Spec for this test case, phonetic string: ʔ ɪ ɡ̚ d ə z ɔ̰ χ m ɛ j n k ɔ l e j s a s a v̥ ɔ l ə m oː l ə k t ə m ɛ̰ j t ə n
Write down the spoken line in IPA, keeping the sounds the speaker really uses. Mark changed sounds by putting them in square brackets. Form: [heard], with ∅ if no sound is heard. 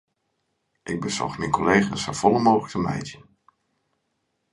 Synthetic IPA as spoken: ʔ ɪ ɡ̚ [b] ə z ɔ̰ χ m ɛ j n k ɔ l e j [χ] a s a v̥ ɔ l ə m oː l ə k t ə m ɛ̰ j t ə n